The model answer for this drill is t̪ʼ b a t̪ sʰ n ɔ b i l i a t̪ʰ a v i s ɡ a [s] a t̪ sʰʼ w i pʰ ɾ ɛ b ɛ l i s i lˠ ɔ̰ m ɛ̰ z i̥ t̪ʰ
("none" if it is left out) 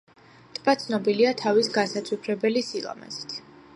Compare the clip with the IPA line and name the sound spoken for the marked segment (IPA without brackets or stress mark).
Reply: s